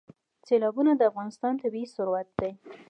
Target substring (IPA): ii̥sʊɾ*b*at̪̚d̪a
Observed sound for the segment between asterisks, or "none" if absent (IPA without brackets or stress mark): w